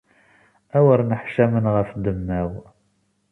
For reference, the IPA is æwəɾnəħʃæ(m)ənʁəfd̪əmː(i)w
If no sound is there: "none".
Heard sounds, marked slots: m, æ

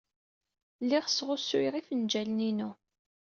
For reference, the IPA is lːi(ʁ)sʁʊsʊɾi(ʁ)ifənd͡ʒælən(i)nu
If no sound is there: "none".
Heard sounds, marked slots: ʁ, ʁ, i

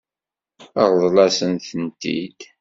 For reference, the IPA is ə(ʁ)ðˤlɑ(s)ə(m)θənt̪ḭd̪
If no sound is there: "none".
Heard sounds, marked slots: ʁ, s, n

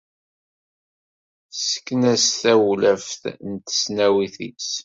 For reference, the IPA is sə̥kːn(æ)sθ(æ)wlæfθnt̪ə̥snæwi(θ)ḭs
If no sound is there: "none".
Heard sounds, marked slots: æ, æ, θ

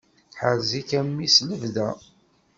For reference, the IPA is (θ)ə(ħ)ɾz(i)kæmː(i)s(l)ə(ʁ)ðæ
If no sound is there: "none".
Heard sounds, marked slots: ħ, none, i, i, l, v

